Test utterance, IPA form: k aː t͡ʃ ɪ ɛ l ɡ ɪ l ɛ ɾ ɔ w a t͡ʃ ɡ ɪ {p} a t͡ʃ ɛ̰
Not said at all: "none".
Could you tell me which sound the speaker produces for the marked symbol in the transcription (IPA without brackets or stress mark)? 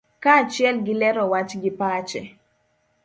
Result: p